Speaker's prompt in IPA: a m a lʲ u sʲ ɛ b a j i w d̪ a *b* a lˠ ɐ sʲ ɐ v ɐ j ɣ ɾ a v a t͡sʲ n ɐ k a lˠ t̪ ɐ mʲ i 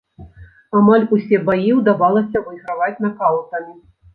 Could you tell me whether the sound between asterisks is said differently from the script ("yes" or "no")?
yes